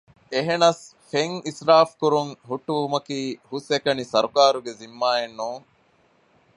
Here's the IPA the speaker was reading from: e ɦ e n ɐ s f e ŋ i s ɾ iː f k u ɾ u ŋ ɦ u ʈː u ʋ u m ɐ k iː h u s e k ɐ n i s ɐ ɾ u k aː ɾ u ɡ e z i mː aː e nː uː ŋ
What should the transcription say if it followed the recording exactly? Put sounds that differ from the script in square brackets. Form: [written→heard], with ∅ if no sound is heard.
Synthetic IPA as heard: e ɦ e n ɐ s f e ŋ i s ɾ [iː→aː] f k u ɾ u ŋ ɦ u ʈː u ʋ u m ɐ k iː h u s e k ɐ n i s ɐ ɾ u k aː ɾ u ɡ e z i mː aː e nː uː ŋ

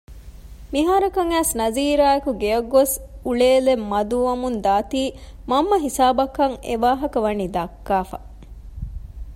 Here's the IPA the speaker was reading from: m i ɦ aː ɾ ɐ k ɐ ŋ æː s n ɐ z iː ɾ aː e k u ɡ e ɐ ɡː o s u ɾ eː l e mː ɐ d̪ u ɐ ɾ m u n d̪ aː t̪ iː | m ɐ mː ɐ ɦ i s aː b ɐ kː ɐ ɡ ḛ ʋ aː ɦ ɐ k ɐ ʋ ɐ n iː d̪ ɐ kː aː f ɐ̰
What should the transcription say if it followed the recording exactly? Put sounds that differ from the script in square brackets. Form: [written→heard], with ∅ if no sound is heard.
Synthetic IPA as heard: m i ɦ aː ɾ ɐ k ɐ ŋ æː s n ɐ z iː ɾ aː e k u ɡ e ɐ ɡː o s u [ɾ→ɭ] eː l e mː ɐ d̪ u ɐ [ɾ→∅] m u n d̪ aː t̪ iː | m ɐ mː ɐ ɦ i s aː b ɐ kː ɐ [ɡ→ŋ] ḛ ʋ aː ɦ ɐ k ɐ ʋ ɐ n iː d̪ ɐ kː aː f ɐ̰

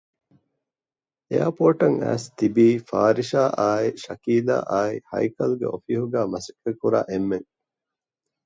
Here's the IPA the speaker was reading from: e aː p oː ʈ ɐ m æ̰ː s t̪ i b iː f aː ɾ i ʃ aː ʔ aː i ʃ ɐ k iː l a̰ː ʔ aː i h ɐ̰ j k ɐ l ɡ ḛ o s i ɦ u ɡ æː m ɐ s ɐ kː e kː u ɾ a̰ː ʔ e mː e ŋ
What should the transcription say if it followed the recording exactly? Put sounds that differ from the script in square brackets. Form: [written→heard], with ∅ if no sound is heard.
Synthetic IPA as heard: e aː p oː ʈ ɐ [m→ŋ] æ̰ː s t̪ i b iː f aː ɾ i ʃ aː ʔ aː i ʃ ɐ k iː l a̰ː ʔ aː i h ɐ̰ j k ɐ l ɡ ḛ o [s→f] i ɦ u ɡ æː m ɐ s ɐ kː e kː u ɾ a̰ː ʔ e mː e ŋ

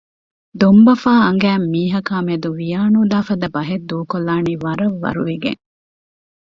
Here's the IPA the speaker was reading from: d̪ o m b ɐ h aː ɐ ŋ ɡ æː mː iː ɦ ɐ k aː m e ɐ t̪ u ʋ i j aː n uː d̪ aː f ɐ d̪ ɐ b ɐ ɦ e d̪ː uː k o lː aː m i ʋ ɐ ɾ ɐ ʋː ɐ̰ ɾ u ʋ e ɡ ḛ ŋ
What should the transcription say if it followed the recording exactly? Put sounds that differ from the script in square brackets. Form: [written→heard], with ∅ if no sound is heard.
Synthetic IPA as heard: d̪ o m b ɐ [h→f] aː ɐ ŋ ɡ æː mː iː ɦ ɐ k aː m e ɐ [t̪→d̪] u ʋ i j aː n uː d̪ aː f ɐ d̪ ɐ b ɐ ɦ e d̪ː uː k o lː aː [m→n] i ʋ ɐ ɾ ɐ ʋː ɐ̰ ɾ u ʋ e ɡ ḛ ŋ

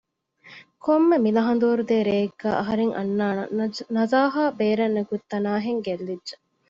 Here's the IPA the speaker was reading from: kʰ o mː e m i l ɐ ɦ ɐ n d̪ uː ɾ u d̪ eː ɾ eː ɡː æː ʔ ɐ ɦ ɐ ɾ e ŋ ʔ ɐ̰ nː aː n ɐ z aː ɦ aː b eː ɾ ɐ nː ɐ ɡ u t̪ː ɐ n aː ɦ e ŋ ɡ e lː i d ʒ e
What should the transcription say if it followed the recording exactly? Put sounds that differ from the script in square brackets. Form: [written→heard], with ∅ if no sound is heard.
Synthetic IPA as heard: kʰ o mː e m i l ɐ ɦ ɐ n d̪ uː ɾ u d̪ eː ɾ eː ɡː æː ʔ ɐ ɦ ɐ ɾ e ŋ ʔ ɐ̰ nː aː n ɐ z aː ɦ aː b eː ɾ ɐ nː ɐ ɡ u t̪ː ɐ n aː ɦ e ŋ ɡ e lː i d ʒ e

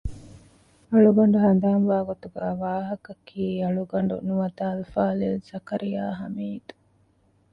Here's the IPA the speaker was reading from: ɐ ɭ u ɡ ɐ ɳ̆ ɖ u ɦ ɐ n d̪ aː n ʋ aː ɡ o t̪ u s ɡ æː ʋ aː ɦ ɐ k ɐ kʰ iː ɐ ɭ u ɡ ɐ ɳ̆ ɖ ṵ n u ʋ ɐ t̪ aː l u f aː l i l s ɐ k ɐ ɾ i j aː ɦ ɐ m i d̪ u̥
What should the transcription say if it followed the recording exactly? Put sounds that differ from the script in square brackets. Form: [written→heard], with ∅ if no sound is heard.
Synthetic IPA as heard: ɐ ɭ u ɡ ɐ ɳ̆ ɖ u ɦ ɐ n d̪ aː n ʋ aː ɡ o t̪ u [s→∅] ɡ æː ʋ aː ɦ ɐ k ɐ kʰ iː ɐ ɭ u ɡ ɐ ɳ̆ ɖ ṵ n u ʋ ɐ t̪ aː l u f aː l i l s ɐ k ɐ ɾ i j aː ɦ ɐ m [i→iː] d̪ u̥

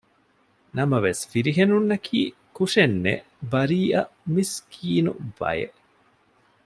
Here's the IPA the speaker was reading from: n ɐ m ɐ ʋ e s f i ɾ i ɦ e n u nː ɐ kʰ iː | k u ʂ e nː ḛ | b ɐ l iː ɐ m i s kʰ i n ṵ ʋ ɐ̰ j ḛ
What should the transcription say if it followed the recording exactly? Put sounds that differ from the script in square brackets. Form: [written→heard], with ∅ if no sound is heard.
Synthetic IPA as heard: n ɐ m ɐ ʋ e s f i ɾ i ɦ e n u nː ɐ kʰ iː | k u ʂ e nː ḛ | b ɐ [l→ɾ] iː ɐ m i s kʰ [i→iː] n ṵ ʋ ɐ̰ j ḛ

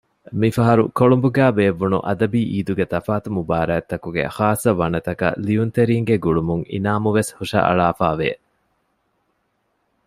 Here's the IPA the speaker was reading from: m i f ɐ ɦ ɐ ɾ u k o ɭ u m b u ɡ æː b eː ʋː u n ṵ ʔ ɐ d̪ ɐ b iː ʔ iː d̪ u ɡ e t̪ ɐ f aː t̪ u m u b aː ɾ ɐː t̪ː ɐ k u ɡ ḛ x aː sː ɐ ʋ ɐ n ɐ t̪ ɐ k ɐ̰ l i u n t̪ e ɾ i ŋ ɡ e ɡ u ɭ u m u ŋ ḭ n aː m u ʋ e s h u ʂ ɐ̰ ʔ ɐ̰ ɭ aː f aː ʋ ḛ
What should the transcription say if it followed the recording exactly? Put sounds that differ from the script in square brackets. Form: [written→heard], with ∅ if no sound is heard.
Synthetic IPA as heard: m i f ɐ ɦ ɐ ɾ u k o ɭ u m b u ɡ æː b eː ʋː u n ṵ ʔ ɐ d̪ ɐ b iː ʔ iː d̪ u ɡ e t̪ ɐ f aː t̪ u m u b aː ɾ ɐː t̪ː ɐ k u ɡ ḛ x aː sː ɐ ʋ ɐ n ɐ t̪ ɐ k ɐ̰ l i u n t̪ e ɾ [i→iː] ŋ ɡ e ɡ u ɭ u m u ŋ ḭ n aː m u ʋ e s h u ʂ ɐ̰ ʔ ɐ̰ ɭ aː f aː ʋ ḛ

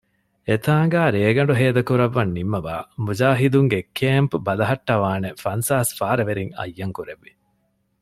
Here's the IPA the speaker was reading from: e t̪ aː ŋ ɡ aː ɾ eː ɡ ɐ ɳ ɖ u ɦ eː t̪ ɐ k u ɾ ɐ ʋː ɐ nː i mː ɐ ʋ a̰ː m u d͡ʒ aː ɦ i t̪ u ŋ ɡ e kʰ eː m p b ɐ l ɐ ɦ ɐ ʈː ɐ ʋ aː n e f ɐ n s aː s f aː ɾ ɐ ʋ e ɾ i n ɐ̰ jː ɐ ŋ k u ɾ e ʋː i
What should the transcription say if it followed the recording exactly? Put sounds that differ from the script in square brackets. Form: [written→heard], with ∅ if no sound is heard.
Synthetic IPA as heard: e t̪ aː ŋ ɡ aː ɾ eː ɡ ɐ ɳ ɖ u ɦ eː [t̪→d̪] ɐ k u ɾ ɐ ʋː ɐ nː i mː ɐ ʋ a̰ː m u d͡ʒ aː ɦ i [t̪→d̪] u ŋ ɡ e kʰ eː m p b ɐ l ɐ ɦ ɐ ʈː ɐ ʋ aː n e f ɐ n s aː s f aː ɾ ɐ ʋ e ɾ i [n→ŋ] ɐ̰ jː ɐ ŋ k u ɾ e ʋː i

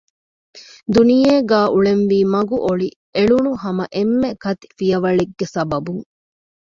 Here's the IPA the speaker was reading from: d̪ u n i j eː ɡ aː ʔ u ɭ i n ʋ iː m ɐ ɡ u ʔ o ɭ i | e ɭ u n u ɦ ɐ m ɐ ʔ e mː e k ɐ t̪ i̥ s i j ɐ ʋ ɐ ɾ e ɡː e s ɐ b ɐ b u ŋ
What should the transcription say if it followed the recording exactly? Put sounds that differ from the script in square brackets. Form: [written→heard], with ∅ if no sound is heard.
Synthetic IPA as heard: d̪ u n i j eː ɡ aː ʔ u ɭ [i→e] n ʋ iː m ɐ ɡ u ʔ o ɭ i | e ɭ u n u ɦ ɐ m ɐ ʔ e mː e k ɐ t̪ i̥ [s→f] i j ɐ ʋ ɐ [ɾ→ɭ] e ɡː e s ɐ b ɐ b u ŋ

